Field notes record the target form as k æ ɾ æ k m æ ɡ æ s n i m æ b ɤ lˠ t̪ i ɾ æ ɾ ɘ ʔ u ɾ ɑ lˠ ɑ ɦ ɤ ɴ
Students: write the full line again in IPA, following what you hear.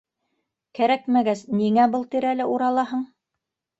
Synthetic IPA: k æ ɾ æ k m æ ɡ æ s n i ŋ æ b ɤ lˠ t̪ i ɾ æ l ɘ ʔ u ɾ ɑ lˠ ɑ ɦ ɤ ɴ